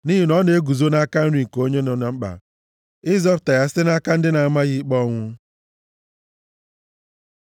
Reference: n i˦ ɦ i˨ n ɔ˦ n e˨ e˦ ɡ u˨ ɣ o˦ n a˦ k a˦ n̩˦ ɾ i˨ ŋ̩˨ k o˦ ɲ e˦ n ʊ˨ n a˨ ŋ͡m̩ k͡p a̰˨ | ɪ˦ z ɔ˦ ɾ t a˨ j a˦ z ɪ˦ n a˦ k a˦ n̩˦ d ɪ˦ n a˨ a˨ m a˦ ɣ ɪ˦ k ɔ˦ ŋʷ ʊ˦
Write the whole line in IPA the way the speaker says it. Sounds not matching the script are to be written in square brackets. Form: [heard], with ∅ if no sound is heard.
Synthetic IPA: n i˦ ɦ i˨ n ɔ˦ n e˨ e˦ ɡ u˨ [z] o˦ n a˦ k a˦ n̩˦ ɾ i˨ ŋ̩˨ k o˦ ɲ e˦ n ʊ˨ n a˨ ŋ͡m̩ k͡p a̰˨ | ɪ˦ z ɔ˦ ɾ t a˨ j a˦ [s] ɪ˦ n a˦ k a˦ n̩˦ d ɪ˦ n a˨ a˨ m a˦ ɣ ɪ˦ [k͡p] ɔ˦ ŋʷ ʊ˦